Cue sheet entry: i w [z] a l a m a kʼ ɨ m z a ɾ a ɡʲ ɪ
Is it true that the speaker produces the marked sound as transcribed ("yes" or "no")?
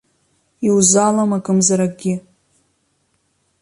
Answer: yes